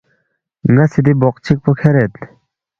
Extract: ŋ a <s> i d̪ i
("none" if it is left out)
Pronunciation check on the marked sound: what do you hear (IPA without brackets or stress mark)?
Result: s